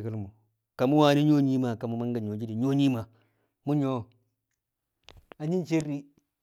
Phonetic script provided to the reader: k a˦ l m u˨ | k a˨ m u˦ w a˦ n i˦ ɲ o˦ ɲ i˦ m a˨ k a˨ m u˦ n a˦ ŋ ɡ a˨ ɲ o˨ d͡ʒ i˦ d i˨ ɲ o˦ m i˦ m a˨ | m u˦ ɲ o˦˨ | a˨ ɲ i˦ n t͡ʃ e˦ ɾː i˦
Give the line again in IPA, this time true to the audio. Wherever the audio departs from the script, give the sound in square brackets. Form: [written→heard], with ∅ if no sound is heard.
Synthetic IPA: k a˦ l m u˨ | k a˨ m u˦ w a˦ n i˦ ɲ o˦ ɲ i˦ m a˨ k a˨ m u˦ [n→m] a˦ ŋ ɡ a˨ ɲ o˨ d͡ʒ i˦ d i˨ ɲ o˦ [m→ɲ] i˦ m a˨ | m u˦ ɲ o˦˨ | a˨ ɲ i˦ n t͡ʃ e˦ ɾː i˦